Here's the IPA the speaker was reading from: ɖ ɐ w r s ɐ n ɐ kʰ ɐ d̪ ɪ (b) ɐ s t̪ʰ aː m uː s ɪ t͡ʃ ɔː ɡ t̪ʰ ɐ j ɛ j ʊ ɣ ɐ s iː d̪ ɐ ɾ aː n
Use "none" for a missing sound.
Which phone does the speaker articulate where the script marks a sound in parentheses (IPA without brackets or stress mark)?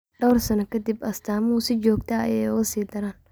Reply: b